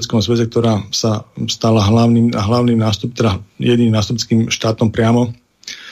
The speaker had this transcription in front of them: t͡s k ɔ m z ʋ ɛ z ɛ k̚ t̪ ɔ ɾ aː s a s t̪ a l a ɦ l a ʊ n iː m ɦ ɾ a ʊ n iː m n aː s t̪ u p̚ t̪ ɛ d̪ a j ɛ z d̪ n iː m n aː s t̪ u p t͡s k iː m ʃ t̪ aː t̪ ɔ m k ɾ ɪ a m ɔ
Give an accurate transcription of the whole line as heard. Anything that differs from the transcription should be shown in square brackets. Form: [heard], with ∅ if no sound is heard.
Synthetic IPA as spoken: t͡s k ɔ m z ʋ ɛ z ɛ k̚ t̪ ɔ ɾ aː s a s t̪ a l a ɦ l a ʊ n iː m ɦ [l] a ʊ n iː m n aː s t̪ u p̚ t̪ ɛ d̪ a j ɛ [∅] d̪ n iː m n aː s t̪ u p t͡s k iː m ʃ t̪ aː t̪ ɔ m [p] ɾ ɪ a m ɔ